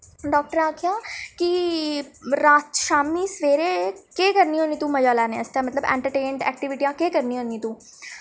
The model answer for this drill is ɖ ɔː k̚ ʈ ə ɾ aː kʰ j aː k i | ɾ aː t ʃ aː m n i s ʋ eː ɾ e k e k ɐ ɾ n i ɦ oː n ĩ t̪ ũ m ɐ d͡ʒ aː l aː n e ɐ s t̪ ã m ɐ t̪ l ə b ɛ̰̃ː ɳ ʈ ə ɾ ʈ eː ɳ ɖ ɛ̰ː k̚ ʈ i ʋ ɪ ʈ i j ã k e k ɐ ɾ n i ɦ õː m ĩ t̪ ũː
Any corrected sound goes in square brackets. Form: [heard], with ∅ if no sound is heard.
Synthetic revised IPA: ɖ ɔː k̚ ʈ ə ɾ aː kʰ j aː k i | ɾ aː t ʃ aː m n i s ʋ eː ɾ e k e k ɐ ɾ n i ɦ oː n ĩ t̪ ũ m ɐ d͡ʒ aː l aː n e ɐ s t̪ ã m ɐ t̪ l ə b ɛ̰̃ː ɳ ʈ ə ɾ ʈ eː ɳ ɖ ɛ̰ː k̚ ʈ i ʋ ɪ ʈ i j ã k e k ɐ ɾ n i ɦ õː [n] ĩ t̪ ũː